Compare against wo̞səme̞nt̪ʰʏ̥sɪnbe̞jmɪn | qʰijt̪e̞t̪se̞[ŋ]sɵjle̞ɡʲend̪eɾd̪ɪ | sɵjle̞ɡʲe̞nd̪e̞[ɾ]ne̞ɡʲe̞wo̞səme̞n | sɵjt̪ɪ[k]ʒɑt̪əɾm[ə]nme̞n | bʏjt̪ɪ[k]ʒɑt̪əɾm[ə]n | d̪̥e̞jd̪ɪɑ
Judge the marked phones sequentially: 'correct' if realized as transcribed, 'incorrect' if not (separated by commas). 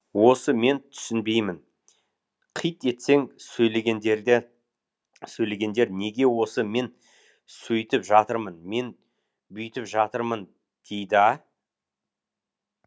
correct, correct, incorrect, correct, incorrect, correct